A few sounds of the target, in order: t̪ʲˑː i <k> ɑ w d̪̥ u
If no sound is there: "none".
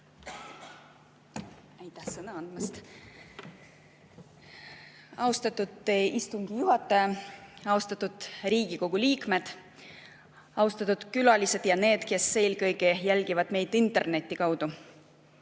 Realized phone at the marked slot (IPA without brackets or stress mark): k